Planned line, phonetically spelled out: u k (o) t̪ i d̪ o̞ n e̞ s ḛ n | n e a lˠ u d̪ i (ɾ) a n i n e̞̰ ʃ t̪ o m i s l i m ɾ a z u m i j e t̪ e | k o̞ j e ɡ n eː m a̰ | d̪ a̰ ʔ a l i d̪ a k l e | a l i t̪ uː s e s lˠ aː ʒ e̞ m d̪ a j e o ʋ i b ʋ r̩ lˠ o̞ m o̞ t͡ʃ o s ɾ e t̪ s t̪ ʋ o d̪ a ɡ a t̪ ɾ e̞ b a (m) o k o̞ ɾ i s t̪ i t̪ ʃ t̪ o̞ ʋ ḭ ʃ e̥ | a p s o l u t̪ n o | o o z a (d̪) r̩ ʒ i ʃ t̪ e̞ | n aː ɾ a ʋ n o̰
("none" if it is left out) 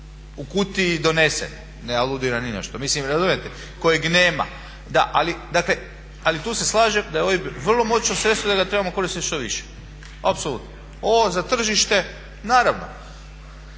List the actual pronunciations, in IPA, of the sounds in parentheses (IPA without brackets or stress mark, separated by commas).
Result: u, ɾ, m, t̪